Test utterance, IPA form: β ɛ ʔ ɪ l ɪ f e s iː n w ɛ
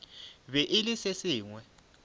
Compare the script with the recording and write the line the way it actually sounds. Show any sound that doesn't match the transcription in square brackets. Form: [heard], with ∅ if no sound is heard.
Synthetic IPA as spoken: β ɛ ʔ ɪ l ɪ [s] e s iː [ŋ] w ɛ